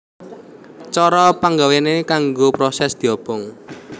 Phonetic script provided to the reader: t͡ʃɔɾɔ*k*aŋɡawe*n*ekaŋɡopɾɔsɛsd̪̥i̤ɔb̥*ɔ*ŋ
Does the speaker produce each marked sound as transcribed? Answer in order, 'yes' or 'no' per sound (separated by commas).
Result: no, yes, yes